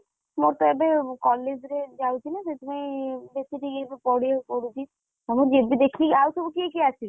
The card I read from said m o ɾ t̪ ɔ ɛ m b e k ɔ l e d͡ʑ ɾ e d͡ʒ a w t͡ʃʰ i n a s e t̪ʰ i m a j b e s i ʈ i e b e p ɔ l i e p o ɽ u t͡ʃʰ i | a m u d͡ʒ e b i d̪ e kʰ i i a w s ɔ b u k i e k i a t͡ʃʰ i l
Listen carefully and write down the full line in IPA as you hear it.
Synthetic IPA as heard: m o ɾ t̪ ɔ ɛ b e k ɔ l e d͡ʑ ɾ e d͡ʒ a w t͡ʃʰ i n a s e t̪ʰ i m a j b e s i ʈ i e b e p ɔ ɽ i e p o ɽ u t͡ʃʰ i | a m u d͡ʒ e b i d̪ e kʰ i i a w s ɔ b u k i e k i a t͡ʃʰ i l

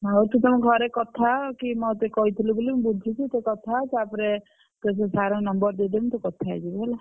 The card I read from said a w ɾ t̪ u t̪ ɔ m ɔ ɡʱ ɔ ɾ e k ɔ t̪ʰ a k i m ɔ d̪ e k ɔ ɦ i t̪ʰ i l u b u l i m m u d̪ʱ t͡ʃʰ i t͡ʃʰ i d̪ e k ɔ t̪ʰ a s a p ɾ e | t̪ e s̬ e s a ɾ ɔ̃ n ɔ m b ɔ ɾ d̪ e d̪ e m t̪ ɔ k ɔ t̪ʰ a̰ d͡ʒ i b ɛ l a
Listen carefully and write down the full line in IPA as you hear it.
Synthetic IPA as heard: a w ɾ t̪ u t̪ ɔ m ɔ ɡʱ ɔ ɾ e k ɔ t̪ʰ a k i m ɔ t̪ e k ɔ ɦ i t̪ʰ i l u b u l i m b u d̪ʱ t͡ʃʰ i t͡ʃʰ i t̪ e k ɔ t̪ʰ a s a p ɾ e | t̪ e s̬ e s a ɾ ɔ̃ n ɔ m b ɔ ɾ d̪ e d̪ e m t̪ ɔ k ɔ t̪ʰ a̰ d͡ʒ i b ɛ l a

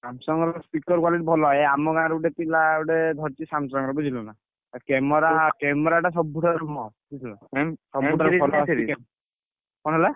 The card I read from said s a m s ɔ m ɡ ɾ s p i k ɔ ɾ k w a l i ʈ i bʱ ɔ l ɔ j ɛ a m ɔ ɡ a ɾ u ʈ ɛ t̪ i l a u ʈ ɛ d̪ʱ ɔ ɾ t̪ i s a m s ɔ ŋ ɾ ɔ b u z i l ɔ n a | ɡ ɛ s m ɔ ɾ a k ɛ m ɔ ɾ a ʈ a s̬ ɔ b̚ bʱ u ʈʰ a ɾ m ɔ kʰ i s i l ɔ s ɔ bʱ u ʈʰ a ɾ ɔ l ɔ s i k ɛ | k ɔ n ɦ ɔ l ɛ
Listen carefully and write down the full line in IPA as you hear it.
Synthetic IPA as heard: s a m s ɔ ŋ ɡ ɾ s p i k ɔ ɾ k w a l i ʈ i bʱ ɔ l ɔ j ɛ a m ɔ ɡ a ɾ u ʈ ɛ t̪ i l a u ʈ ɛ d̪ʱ ɔ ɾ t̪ i s a m s ɔ ŋ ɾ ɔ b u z i l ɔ n a | k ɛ m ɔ ɾ a k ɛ m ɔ ɾ a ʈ a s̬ ɔ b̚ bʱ u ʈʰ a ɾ m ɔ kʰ i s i l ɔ s ɔ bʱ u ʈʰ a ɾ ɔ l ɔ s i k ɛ | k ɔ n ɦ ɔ l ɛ

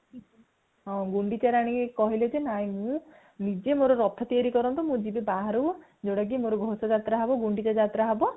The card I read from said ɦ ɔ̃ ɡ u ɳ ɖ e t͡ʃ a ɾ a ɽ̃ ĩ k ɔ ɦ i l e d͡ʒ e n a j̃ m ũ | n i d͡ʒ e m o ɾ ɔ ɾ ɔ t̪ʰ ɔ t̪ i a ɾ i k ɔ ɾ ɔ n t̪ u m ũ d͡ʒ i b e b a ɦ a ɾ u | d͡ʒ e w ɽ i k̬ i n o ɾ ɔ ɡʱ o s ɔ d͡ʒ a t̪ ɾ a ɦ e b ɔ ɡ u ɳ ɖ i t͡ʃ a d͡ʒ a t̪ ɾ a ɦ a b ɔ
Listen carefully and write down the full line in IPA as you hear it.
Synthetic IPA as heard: ɦ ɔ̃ ɡ u ɳ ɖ i t͡ʃ a ɾ a ɽ̃ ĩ k ɔ ɦ i l e d͡ʒ e n a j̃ m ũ | n i d͡ʒ e m o ɾ ɔ ɾ ɔ t̪ʰ ɔ t̪ i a ɾ i k ɔ ɾ ɔ n t̪ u m ũ d͡ʒ i b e b a ɦ a ɾ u | d͡ʒ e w ɽ a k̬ i m o ɾ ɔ ɡʱ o s ɔ d͡ʒ a t̪ ɾ a ɦ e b ɔ ɡ u ɳ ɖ i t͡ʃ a d͡ʒ a t̪ ɾ a ɦ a b ɔ

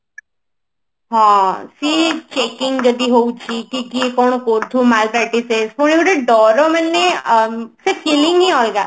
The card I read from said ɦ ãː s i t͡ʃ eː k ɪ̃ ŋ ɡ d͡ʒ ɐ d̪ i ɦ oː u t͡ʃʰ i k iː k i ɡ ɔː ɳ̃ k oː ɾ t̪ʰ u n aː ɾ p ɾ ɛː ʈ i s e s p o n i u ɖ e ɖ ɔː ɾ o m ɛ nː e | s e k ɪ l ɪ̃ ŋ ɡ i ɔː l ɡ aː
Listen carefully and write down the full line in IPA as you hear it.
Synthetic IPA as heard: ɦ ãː s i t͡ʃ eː k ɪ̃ ŋ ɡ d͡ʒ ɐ d̪ i ɦ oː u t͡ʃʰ i k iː k i k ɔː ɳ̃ k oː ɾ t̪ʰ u m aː l p ɾ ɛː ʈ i s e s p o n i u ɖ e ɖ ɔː ɾ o m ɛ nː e | s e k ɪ l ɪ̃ ŋ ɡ i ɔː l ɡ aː

